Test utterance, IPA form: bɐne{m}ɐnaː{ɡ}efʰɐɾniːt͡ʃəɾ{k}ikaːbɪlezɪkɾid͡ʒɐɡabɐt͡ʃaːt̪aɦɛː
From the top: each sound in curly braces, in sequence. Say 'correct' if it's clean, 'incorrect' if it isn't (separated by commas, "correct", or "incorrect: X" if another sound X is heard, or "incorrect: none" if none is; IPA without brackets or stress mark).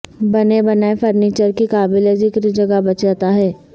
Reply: incorrect: b, incorrect: none, correct